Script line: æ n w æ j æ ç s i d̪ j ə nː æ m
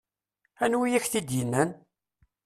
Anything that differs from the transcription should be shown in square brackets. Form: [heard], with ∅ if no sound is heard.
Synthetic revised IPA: æ n w [i] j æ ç [θ] i d̪ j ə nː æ [n]